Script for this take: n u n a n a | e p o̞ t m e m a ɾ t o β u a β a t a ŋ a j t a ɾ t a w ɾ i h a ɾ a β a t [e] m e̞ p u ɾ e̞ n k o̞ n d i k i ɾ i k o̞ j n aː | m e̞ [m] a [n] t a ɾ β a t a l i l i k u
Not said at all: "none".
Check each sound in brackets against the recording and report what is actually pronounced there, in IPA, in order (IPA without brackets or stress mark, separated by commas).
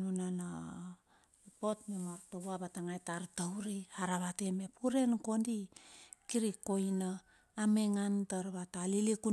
e, ŋ, n